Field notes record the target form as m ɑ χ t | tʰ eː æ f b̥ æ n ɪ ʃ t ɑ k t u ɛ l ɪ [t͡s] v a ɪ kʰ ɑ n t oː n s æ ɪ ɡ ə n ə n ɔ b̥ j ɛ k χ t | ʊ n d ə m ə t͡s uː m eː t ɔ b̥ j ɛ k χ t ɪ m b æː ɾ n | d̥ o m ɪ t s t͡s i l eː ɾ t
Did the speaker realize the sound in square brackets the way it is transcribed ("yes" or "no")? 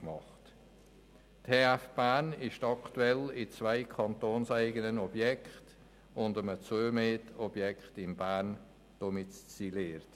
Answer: yes